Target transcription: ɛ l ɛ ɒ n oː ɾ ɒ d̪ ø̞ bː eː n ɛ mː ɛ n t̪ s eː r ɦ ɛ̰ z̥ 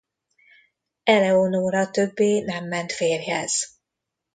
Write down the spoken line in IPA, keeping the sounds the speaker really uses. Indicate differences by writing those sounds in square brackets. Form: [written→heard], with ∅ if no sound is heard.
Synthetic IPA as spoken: ɛ l ɛ [ɒ→o] n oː ɾ ɒ [d̪→t̪] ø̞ bː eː n ɛ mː ɛ n t̪ [s→f] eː r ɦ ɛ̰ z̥